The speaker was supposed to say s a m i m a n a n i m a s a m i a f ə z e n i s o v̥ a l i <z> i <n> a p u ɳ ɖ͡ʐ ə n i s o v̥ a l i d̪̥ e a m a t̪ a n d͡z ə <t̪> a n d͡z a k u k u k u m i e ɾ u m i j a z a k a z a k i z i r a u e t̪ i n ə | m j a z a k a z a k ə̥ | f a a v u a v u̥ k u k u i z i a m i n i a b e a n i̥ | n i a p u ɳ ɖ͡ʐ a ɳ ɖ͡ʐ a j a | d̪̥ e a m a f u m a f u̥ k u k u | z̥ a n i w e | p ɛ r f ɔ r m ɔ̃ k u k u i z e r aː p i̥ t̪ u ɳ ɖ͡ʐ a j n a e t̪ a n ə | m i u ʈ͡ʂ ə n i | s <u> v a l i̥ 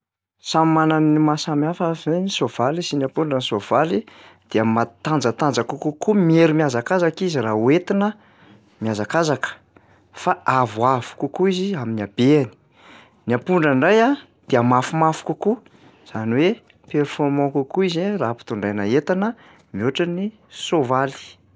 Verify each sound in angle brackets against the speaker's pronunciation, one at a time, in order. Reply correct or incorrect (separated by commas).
incorrect, correct, correct, incorrect